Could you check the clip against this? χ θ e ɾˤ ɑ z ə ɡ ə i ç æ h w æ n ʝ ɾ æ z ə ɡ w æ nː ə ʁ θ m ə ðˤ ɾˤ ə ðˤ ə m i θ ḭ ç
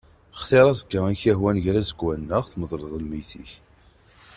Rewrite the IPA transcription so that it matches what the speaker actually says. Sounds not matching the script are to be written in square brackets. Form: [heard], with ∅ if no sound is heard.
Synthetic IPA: χ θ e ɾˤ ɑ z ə ɡ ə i ç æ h w æ n ʝ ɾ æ z ə ɡ w æ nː ə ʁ θ m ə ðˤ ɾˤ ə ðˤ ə m i θ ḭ ç